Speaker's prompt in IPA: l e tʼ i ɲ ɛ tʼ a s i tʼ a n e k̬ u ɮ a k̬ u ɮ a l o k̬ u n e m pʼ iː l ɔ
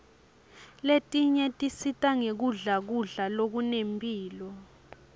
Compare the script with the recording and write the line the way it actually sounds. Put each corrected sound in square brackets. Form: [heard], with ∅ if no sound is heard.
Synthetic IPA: l e tʼ i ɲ ɛ tʼ [i] s i tʼ a [ŋ] e k̬ u ɮ a k̬ u ɮ a l o k̬ u n e m pʼ iː l ɔ